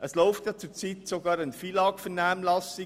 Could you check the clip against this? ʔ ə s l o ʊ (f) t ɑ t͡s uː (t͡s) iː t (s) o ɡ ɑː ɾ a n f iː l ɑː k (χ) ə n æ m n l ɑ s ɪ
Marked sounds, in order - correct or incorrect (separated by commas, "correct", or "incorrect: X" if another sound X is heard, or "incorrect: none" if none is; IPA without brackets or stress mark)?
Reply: correct, correct, correct, incorrect: f